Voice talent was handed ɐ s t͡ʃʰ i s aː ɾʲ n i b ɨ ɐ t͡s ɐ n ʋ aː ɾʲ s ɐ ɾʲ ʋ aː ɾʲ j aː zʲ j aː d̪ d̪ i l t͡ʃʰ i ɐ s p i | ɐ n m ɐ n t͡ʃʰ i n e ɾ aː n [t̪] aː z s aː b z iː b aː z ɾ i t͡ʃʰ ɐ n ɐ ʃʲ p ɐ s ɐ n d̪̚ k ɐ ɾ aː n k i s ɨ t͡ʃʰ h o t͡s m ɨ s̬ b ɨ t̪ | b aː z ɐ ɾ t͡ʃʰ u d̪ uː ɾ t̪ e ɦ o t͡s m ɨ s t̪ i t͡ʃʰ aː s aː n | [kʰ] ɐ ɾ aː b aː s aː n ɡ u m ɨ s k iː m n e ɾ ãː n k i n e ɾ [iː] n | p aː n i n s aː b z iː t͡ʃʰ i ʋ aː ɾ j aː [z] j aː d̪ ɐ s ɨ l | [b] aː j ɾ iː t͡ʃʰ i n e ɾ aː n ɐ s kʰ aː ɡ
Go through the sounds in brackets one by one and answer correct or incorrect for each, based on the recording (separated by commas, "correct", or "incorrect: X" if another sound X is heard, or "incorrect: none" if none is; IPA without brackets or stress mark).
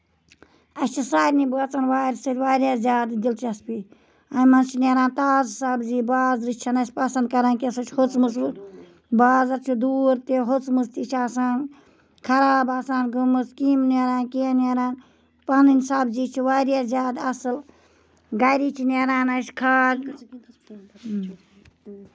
correct, correct, incorrect: aː, correct, incorrect: ɡ